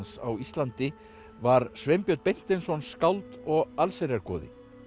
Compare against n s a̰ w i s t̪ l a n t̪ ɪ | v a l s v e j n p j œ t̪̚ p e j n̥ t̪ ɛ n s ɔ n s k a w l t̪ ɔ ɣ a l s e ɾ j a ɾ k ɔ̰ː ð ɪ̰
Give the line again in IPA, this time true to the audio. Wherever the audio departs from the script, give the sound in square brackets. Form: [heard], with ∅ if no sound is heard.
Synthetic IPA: n s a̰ w i s t̪ l a n t̪ ɪ | v a [ɾ] s v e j [m] p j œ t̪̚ p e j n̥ t̪ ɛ n s ɔ n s k a w l t̪ ɔ ɣ a l s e ɾ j a ɾ k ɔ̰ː ð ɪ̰